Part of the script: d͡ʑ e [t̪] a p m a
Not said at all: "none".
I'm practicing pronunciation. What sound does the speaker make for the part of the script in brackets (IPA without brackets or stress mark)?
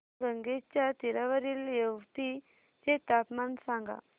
t̪